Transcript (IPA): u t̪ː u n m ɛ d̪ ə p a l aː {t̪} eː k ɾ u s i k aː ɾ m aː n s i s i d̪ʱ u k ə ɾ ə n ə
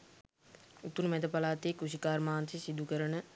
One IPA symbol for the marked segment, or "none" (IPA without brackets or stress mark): t̪